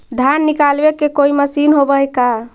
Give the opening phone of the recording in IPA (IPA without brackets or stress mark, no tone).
d̪ʱ